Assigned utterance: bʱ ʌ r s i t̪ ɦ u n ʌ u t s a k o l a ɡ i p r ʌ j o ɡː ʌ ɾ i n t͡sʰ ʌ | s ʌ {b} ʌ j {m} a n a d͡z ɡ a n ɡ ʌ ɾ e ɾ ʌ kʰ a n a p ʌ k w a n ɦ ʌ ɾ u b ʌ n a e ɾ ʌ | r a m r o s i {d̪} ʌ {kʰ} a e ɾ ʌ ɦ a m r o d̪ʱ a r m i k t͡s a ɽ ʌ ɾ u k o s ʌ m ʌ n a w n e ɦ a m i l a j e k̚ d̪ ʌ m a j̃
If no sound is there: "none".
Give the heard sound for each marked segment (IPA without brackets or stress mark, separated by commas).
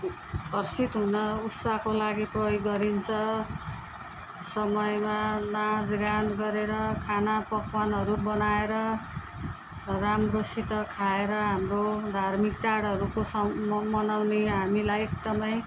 m, m, t̪, kʰ